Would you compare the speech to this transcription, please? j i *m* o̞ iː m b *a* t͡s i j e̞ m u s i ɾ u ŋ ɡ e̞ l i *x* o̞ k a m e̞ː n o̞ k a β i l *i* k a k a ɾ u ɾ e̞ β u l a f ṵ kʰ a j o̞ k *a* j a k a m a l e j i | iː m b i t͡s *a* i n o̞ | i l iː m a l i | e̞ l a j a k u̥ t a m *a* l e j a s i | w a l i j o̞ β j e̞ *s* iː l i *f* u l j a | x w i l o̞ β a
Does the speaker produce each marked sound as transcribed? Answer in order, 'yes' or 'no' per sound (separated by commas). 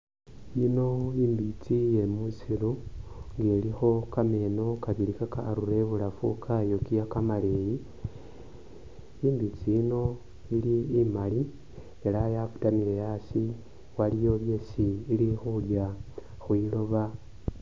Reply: no, no, yes, yes, no, no, no, yes, no